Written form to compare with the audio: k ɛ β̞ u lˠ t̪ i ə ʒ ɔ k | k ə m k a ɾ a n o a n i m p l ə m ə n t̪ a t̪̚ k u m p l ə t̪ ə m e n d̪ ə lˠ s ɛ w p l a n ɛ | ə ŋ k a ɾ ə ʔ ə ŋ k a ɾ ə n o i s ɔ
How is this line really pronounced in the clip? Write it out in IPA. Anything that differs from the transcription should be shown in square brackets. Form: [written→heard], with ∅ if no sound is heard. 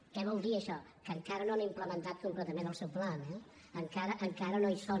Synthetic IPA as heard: k ɛ β̞ [u→ɔ] lˠ [t̪→d̪] i ə [ʒ→ʃ] ɔ [k→∅] | k ə [m→ŋ] k a ɾ [a→ə] n o a n i m p l ə m ə n t̪ a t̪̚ k u m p l ə t̪ ə m e n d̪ ə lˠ s ɛ w p l a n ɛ | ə ŋ k a ɾ ə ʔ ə ŋ k a ɾ ə n o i s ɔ